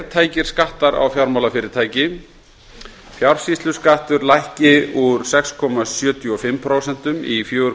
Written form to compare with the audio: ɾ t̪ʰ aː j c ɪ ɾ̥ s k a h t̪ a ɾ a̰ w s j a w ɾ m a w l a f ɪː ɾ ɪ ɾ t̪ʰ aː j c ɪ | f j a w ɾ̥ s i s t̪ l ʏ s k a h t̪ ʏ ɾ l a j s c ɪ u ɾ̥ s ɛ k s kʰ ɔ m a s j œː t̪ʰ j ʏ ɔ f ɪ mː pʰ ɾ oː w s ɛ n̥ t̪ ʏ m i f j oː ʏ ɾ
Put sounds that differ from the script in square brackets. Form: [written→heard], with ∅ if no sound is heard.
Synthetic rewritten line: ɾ t̪ʰ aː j c ɪ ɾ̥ s k a h t̪ a ɾ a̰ w [s→f] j a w ɾ m a w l a f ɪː ɾ ɪ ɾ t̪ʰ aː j c ɪ | f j a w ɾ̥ s i s t̪ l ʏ s k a h t̪ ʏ ɾ l a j [s→h] c ɪ u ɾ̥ s ɛ k s kʰ ɔ m a s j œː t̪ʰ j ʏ ɔ f ɪ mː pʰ ɾ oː w s ɛ n̥ t̪ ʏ m i f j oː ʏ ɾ

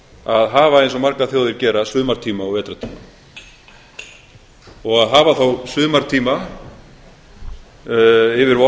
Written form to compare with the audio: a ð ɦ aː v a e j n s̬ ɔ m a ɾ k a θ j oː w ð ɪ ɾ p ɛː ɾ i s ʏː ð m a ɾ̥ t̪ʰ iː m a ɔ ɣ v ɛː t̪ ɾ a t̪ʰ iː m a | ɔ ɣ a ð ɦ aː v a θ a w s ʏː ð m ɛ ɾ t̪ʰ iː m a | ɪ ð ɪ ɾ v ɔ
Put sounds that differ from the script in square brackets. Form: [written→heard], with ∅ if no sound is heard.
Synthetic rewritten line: a ð ɦ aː v a e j n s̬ ɔ m a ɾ k a θ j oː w ð ɪ ɾ [p→c] ɛː ɾ [i→a] s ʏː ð m a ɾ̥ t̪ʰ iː m a ɔ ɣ v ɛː t̪ ɾ a t̪ʰ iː m a | ɔ ɣ a ð ɦ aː v a θ a w s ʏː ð m [ɛ→a] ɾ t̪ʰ iː m a | ɪ [ð→v] ɪ ɾ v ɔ

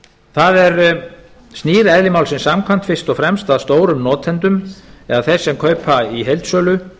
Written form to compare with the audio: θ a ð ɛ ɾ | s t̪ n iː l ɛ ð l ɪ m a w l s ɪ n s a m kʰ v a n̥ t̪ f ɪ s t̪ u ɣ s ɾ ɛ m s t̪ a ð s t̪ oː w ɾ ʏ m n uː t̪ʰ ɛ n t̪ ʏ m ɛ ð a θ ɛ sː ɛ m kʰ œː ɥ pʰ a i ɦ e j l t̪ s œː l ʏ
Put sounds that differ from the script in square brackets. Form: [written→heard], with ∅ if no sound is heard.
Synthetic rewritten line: θ a ð ɛ ɾ | s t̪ n iː [l→ɾ] ɛ ð l ɪ m a w l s ɪ n s a m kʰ v a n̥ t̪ f ɪ s t̪ [u→ɔ] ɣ [s→f] ɾ ɛ m s t̪ a ð s t̪ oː w ɾ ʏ m n [uː→ɔː] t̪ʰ ɛ n t̪ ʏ m ɛ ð a θ ɛ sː ɛ m kʰ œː ɥ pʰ a i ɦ e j l t̪ s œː l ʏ

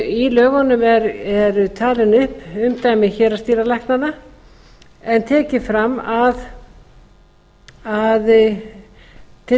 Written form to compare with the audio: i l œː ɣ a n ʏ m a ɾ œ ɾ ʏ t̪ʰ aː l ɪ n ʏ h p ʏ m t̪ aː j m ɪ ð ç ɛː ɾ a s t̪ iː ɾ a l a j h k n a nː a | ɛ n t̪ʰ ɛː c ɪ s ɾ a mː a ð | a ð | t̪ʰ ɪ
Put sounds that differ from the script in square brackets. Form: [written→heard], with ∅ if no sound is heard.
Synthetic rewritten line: i l œː ɣ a n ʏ m [a→ɛ] ɾ [œ→ɛ] ɾ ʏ t̪ʰ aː l ɪ n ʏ h p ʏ m t̪ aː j m ɪ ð ç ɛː ɾ a s t̪ iː ɾ a l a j h k n a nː a | ɛ n t̪ʰ ɛː c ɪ [s→f] ɾ a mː a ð | a ð | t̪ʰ ɪ

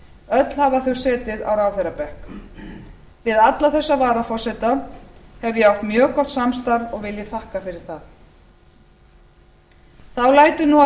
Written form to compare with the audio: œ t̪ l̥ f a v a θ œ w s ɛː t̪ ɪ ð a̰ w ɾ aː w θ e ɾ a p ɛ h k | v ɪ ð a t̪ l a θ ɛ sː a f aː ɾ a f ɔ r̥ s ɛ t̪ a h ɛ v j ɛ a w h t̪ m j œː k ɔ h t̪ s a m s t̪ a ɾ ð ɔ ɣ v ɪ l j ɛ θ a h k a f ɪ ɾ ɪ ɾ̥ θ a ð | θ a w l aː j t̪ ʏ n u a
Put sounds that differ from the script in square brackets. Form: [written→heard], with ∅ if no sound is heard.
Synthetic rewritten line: œ t̪ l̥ [f→h] a v a θ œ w s ɛː t̪ ɪ ð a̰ w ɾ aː w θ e ɾ a p ɛ h k | v ɪ ð a t̪ l a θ ɛ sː a [f→v] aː ɾ a f ɔ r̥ s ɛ t̪ a h ɛ v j ɛ a w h t̪ m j œː k ɔ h t̪ s a m s t̪ a ɾ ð ɔ ɣ v ɪ l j ɛ θ a h k a f ɪ ɾ ɪ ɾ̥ θ a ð | θ a w l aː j t̪ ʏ n u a

